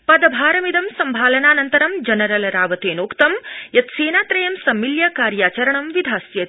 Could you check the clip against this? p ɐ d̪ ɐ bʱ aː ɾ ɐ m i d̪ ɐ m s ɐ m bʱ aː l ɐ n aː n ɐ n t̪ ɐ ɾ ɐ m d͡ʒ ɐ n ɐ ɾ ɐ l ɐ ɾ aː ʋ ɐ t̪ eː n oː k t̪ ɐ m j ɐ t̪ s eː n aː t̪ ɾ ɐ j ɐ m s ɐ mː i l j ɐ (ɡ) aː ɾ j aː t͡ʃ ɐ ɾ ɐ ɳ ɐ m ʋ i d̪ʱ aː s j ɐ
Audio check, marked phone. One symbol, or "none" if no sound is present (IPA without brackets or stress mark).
k